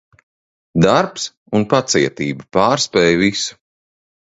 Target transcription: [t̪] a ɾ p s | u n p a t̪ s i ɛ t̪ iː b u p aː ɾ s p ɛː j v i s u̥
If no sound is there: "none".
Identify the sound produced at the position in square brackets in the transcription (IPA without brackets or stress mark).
d̪